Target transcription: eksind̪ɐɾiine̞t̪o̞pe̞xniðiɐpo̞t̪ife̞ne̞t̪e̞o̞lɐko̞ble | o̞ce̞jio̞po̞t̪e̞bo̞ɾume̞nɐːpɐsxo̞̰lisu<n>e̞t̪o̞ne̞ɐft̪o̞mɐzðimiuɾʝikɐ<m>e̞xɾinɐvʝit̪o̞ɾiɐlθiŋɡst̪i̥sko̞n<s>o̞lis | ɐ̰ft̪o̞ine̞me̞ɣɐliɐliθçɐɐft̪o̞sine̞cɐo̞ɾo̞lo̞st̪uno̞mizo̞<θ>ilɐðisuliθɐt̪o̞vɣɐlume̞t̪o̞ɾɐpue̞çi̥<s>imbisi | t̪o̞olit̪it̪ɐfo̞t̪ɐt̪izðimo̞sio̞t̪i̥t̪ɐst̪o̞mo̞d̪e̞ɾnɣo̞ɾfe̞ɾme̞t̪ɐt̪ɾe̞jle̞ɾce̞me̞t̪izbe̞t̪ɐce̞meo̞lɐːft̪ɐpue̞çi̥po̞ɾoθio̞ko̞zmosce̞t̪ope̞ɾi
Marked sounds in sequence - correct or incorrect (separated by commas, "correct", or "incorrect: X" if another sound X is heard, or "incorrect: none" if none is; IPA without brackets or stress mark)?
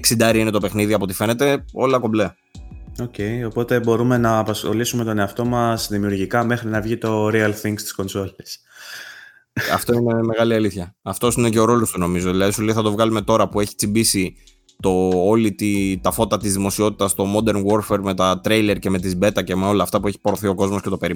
incorrect: m, correct, correct, incorrect: ð, incorrect: t͡s